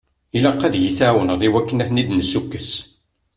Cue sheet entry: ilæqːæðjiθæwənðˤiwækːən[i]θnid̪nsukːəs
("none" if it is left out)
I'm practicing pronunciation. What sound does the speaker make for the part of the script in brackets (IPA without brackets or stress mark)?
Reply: æ